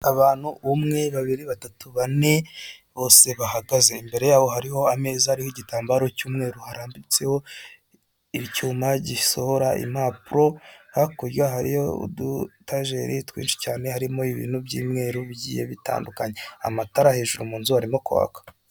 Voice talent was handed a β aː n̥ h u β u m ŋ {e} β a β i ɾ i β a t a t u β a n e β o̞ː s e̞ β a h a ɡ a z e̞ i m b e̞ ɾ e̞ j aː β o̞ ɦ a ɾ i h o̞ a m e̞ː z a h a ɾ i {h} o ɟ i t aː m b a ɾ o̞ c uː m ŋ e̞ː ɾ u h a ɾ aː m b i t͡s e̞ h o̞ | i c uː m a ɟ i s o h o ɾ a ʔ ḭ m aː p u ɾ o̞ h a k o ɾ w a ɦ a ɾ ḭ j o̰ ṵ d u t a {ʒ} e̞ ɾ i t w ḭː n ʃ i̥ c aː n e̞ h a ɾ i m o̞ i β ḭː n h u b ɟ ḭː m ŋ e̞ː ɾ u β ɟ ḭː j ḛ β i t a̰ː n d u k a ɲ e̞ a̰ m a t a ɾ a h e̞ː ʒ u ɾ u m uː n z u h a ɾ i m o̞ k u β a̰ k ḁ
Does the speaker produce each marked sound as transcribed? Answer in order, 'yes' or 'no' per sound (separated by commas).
yes, yes, yes